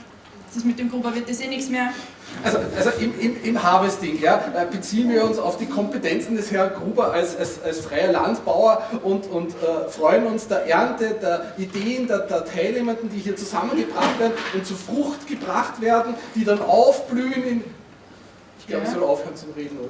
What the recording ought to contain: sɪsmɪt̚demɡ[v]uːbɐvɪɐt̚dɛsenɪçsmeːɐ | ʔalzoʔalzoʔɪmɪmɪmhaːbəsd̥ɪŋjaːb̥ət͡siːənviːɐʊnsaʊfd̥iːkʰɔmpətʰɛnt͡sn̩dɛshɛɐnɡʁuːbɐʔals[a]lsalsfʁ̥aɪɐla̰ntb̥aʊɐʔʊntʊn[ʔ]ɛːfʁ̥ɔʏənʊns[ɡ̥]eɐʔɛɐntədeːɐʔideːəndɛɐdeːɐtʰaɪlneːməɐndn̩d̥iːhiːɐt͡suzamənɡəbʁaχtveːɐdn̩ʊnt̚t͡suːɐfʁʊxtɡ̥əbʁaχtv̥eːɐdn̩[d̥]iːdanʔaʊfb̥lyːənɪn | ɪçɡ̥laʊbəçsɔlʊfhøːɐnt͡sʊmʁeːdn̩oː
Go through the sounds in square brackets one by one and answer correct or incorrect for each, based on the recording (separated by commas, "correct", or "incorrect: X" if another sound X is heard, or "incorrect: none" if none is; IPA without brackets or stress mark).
incorrect: ʁ, correct, incorrect: t, incorrect: d̥, correct